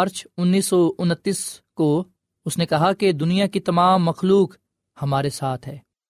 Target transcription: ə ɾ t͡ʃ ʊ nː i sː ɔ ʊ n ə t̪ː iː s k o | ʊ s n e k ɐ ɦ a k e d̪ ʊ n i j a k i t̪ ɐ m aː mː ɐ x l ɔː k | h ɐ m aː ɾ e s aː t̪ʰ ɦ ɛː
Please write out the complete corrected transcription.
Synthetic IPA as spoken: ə ɾ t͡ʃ ʊ nː iː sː ɔ ʊ n ə t̪ː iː s k o | ʊ s n e k ɐ ɦ a k e d̪ ʊ n i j a k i t̪ ɐ m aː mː ɐ x l uː k | h ɐ m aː ɾ e s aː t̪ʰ ɦ ɛː